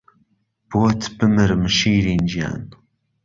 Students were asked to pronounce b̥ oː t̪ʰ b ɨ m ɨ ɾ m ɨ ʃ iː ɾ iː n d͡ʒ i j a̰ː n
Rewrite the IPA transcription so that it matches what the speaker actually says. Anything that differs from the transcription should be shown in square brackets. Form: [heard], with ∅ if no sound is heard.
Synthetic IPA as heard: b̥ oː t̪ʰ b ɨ m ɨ ɾ m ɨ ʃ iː ɾ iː n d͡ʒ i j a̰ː n